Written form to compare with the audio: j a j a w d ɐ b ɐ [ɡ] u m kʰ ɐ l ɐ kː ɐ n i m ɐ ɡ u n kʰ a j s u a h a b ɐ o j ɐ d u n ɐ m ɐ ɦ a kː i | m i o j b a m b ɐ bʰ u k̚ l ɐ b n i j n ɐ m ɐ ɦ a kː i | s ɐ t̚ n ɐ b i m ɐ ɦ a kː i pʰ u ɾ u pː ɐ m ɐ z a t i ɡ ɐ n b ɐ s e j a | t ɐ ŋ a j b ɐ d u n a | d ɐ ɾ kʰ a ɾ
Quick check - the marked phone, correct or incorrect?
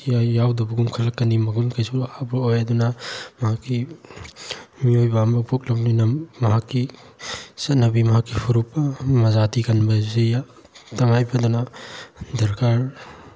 correct